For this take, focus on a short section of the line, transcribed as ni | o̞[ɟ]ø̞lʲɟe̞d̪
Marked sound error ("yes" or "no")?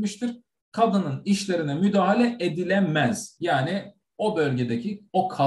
yes